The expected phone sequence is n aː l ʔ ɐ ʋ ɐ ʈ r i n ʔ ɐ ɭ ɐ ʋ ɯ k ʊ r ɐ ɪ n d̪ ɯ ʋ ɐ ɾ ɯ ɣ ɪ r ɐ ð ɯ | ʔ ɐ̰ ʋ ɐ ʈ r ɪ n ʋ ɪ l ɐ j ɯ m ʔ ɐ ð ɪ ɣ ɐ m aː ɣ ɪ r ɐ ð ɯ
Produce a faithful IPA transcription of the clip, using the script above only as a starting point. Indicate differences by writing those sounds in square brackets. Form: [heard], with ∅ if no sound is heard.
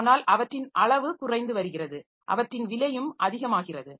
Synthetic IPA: n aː l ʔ ɐ ʋ ɐ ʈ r [ɪ] n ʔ ɐ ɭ ɐ ʋ ɯ k ʊ r ɐ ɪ n d̪ ɯ ʋ ɐ ɾ ɯ ɣ ɪ r ɐ ð ɯ | ʔ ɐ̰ ʋ ɐ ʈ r ɪ n ʋ ɪ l ɐ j ɯ m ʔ ɐ ð ɪ ɣ ɐ m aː ɣ ɪ r ɐ ð ɯ